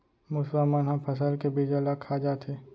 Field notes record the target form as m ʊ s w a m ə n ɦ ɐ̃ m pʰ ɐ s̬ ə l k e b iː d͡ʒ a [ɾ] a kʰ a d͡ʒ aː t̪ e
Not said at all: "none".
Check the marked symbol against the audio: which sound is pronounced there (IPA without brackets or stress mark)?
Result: l